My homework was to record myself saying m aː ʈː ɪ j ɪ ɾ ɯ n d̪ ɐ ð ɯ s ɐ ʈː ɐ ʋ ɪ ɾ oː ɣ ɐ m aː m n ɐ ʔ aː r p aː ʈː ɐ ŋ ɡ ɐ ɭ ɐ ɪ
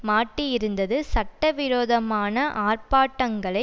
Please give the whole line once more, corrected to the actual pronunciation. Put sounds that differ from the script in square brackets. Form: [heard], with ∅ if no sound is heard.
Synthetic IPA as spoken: m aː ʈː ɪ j ɪ ɾ ɯ n d̪ ɐ ð ɯ s ɐ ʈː ɐ ʋ ɪ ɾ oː [ð] ɐ m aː [∅] n ɐ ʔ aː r p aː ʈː ɐ ŋ ɡ ɐ ɭ ɐ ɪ